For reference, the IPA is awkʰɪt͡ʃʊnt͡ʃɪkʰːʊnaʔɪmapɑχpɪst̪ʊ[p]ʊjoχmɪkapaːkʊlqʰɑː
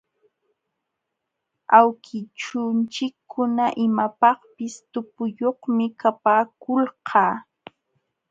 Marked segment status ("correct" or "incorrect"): correct